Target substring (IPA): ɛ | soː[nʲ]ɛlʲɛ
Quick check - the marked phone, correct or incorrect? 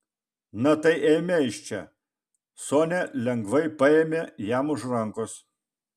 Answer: correct